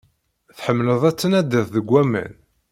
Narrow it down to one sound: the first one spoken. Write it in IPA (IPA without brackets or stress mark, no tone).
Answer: θ